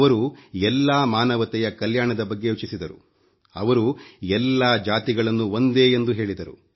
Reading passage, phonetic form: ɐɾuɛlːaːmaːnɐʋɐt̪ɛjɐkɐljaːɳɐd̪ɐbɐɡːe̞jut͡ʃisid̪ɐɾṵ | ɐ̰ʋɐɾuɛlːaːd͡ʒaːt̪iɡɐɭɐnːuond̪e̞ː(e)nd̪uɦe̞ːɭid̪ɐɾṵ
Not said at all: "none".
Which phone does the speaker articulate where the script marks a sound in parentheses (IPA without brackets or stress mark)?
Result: e